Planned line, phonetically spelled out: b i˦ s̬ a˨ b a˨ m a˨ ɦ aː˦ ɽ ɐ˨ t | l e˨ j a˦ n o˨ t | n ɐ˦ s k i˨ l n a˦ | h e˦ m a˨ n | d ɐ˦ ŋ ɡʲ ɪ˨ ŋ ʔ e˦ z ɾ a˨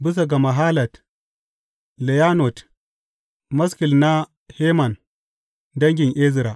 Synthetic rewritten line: b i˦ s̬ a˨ ɡ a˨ m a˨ ɦ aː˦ l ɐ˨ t | l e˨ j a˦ n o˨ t | m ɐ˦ s k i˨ l n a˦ | h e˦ m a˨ n | d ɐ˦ ŋ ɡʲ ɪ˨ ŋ ʔ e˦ z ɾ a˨